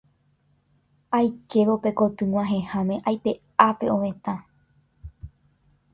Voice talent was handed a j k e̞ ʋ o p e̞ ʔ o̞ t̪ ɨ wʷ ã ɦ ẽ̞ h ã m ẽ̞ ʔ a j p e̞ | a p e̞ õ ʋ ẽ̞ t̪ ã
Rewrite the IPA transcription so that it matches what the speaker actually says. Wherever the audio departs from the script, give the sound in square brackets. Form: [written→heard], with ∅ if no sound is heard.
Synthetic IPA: a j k e̞ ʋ o p e̞ [ʔ→k] o̞ t̪ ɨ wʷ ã ɦ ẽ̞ h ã m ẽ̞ ʔ a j p e̞ | a p e̞ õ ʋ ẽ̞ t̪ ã

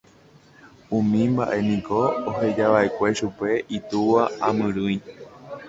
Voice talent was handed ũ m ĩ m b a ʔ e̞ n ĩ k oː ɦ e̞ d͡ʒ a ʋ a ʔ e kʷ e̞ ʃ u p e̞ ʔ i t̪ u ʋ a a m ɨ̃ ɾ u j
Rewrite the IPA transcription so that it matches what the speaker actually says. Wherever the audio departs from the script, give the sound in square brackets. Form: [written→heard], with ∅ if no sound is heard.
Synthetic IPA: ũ m ĩ m b a ʔ e̞ n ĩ k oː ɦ e̞ d͡ʒ a ʋ a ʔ e kʷ e̞ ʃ u p e̞ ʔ i t̪ u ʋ a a m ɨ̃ ɾ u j

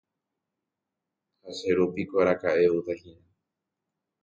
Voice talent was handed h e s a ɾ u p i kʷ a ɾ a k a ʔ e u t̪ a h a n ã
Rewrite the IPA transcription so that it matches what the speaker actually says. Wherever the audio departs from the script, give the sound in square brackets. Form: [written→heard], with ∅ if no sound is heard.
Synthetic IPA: h [e→a] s [a→e] ɾ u p i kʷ a ɾ a k a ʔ e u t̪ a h [a→i] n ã

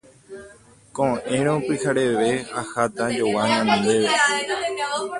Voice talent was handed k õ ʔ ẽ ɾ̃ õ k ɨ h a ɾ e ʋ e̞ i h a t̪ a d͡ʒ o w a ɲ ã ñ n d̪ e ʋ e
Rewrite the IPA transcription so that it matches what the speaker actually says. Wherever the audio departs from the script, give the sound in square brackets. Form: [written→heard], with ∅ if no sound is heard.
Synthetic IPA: k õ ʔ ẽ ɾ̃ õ [k→p] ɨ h a ɾ e ʋ e̞ [i→a] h a t̪ a d͡ʒ o w a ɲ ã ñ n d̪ e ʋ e

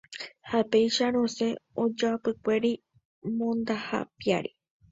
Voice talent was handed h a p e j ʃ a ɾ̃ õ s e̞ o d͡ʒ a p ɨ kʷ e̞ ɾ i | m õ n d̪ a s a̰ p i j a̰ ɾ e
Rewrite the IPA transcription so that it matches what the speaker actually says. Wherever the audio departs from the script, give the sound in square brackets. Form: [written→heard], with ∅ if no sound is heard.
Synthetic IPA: h a p e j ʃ a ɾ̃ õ s e̞ o d͡ʒ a p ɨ kʷ e̞ ɾ i | m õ n d̪ a [s→h] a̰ p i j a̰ ɾ [e→i]

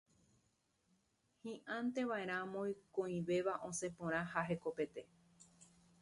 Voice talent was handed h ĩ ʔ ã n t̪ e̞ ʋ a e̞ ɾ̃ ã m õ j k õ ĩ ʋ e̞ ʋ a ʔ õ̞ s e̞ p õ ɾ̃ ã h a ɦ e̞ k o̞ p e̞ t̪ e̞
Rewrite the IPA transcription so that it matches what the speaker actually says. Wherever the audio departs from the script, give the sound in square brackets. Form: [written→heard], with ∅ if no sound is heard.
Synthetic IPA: h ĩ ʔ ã n t̪ e̞ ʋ a e̞ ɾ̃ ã m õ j k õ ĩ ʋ e̞ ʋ a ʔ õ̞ s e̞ p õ ɾ̃ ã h a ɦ e̞ k o̞ p e̞ t̪ e̞

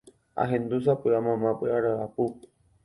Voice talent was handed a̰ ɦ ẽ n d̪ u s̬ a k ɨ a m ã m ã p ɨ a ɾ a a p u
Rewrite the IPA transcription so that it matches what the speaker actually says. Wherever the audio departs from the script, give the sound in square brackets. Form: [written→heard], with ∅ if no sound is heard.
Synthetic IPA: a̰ ɦ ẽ n d̪ u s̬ a [k→p] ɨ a m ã m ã p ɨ a ɾ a a p u

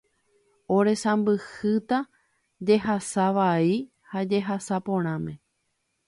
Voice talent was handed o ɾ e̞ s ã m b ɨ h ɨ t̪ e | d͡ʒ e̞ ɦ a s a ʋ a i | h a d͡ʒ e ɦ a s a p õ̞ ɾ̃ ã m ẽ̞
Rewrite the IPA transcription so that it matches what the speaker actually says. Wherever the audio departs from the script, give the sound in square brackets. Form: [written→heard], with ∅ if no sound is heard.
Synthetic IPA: o ɾ e̞ s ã m b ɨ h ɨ t̪ [e→a] | d͡ʒ e̞ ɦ a s a ʋ a i | h a d͡ʒ e ɦ a s a p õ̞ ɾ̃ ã m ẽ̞

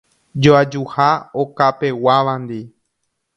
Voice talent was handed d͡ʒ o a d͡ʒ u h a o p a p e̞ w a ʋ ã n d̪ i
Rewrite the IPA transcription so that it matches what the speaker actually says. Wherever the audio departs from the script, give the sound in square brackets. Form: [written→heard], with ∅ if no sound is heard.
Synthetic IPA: d͡ʒ o a d͡ʒ u h a o [p→k] a p e̞ w a ʋ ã n d̪ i

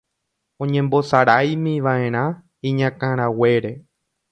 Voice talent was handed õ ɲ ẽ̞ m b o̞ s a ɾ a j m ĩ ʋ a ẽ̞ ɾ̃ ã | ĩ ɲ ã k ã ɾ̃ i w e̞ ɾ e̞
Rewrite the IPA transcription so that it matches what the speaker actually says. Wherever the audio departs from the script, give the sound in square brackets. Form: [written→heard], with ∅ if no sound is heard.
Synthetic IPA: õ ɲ ẽ̞ m b o̞ s a ɾ a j m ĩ ʋ a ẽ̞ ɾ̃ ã | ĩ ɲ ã k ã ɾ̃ [i→a] w e̞ ɾ e̞

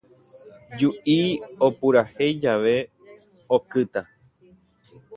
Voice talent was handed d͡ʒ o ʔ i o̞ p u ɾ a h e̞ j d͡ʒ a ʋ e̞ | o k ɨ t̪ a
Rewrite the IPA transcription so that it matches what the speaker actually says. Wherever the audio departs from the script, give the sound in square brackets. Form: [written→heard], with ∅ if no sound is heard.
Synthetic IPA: d͡ʒ [o→u] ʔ i o̞ p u ɾ a h e̞ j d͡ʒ a ʋ e̞ | o k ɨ t̪ a

